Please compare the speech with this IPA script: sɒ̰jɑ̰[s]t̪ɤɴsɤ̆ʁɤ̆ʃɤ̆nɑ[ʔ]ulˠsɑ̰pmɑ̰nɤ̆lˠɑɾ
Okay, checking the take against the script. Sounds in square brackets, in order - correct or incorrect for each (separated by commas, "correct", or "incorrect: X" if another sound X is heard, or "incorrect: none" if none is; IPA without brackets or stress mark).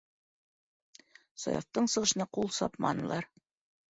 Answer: incorrect: f, incorrect: q